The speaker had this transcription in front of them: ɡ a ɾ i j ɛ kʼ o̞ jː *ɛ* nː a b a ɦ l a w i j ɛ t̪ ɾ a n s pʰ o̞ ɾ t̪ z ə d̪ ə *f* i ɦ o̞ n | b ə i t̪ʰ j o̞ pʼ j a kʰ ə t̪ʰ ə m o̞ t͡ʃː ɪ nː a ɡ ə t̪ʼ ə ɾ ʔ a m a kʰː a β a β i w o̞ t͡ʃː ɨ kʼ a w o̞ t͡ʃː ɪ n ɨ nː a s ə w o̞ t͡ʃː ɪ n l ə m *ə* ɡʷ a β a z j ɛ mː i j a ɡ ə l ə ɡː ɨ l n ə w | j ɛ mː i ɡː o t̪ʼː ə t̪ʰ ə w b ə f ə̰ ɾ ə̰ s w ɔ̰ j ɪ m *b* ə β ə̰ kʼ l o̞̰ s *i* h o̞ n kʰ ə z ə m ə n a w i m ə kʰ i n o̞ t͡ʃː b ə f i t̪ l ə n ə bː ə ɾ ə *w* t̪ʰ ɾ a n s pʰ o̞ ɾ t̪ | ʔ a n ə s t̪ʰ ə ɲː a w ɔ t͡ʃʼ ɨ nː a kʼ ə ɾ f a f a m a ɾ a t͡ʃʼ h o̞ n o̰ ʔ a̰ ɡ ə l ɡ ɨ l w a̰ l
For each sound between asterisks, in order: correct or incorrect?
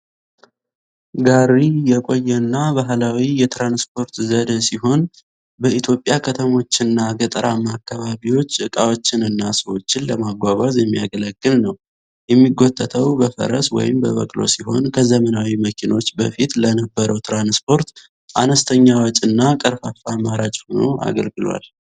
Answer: correct, incorrect: s, incorrect: a, correct, correct, correct

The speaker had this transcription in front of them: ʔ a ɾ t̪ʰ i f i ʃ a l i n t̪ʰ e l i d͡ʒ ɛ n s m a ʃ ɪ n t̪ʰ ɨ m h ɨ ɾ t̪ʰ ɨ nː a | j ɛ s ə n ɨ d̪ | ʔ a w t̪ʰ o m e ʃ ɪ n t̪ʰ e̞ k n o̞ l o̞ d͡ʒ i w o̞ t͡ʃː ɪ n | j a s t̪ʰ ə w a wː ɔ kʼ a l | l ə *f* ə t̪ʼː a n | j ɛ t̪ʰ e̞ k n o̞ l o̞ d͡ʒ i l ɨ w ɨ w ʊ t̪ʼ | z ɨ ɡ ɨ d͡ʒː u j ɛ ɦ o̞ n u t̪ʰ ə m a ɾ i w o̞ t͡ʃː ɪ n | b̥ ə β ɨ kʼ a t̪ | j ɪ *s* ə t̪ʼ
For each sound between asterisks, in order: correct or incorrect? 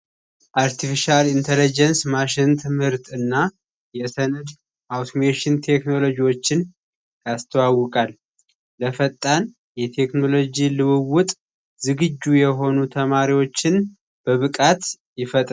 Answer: correct, incorrect: f

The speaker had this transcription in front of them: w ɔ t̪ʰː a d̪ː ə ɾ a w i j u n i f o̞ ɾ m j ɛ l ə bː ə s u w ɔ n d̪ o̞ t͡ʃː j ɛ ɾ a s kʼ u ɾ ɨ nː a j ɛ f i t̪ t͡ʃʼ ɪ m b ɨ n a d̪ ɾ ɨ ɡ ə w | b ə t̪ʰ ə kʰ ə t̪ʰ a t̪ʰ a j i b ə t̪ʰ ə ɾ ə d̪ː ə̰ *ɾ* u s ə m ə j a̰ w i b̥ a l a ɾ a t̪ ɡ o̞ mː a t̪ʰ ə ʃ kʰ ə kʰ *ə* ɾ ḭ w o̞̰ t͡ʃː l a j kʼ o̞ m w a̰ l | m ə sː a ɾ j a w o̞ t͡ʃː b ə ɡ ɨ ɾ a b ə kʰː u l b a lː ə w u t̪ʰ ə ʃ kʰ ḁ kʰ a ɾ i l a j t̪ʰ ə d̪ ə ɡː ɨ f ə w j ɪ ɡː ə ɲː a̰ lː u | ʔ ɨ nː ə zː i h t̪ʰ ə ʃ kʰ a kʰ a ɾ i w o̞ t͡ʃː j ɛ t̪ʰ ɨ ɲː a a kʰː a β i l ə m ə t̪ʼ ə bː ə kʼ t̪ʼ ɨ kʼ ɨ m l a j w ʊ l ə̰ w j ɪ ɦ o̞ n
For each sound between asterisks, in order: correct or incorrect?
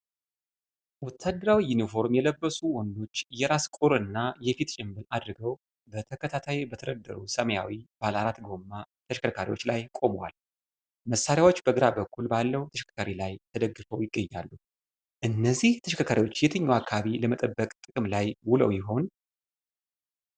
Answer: correct, incorrect: a

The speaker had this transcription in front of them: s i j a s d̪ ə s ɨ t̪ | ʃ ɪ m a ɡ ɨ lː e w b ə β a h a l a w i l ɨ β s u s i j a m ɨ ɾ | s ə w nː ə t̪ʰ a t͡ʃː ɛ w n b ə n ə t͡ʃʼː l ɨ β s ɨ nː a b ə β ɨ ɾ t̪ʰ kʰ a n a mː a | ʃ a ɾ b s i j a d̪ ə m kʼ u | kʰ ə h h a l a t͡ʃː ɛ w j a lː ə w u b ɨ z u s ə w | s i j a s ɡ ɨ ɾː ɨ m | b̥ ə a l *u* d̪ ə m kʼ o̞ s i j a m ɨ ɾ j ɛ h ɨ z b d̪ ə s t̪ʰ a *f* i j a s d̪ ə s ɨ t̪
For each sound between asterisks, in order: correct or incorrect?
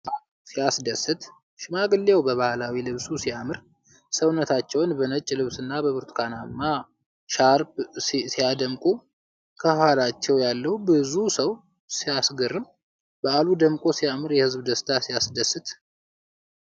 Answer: correct, incorrect: s

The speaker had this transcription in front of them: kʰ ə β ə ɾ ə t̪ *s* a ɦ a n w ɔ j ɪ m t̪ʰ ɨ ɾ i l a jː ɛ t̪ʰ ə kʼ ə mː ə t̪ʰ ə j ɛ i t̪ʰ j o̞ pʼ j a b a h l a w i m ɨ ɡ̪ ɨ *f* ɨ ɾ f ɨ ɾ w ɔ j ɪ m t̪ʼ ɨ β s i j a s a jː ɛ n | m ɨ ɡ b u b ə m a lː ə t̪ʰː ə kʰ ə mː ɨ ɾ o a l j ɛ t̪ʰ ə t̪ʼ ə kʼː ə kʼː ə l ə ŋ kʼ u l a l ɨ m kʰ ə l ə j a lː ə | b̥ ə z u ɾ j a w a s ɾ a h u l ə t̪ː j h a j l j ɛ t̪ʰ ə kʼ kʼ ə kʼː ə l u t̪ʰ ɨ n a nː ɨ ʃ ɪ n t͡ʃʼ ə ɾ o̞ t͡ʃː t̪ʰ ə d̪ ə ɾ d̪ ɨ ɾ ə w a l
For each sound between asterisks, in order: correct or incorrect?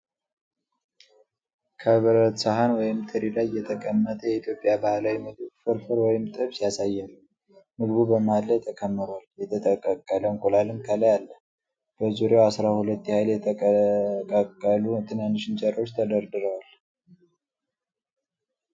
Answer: correct, correct

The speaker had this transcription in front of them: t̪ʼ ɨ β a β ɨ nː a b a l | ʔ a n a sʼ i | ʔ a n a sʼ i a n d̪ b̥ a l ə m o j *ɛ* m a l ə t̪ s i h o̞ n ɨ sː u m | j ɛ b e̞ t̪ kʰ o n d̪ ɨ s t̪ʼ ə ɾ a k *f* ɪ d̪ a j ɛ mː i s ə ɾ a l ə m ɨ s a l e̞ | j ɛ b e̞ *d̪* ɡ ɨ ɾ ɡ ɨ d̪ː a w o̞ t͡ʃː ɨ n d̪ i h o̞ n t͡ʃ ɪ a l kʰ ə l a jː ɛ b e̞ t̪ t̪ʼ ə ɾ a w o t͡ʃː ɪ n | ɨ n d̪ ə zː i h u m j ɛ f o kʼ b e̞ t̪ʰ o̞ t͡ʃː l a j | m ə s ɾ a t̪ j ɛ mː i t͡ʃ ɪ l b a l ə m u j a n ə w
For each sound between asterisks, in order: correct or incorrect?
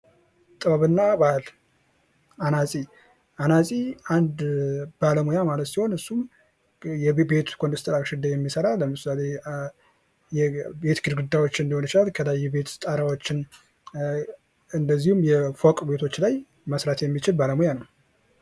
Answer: incorrect: a, incorrect: ʃ, incorrect: t̪

